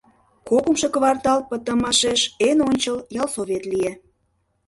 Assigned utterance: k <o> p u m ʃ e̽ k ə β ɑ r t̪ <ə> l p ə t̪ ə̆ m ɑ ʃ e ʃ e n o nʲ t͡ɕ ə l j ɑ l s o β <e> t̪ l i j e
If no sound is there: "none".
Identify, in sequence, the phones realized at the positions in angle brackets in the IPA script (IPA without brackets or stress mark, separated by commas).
o, ɑ, e